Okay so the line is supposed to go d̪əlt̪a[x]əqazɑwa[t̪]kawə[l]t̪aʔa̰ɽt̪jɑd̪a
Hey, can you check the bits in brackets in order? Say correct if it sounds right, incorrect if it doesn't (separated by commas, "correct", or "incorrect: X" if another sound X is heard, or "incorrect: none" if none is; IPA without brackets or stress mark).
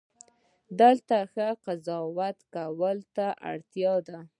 correct, correct, correct